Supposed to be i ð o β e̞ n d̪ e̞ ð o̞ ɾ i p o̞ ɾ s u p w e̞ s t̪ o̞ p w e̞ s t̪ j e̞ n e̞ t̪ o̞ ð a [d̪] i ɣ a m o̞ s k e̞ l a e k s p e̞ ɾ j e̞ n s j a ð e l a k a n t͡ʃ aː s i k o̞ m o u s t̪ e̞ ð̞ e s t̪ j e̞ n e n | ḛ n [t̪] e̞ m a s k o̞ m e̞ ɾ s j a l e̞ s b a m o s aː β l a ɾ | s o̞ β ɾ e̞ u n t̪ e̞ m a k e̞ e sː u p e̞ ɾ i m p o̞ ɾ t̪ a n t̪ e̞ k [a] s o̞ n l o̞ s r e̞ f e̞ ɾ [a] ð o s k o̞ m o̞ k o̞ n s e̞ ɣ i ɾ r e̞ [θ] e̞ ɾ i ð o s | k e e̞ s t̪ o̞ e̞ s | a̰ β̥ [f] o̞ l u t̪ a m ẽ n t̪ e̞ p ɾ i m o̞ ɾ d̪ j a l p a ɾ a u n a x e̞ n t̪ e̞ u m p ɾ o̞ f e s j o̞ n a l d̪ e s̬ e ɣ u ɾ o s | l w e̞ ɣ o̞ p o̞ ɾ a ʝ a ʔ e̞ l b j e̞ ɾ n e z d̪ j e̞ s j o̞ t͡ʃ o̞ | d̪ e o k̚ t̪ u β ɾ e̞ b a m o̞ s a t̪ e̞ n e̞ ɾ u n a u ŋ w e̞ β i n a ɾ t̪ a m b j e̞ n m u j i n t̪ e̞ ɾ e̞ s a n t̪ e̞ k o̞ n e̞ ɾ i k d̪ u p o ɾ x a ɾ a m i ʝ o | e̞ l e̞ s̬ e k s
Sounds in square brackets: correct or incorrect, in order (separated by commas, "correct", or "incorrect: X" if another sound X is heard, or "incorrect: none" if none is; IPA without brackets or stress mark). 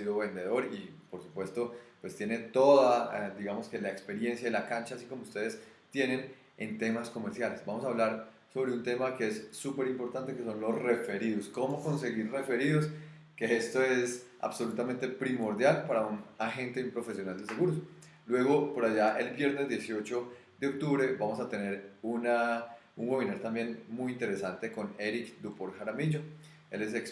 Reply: correct, correct, incorrect: e, incorrect: i, incorrect: f, incorrect: s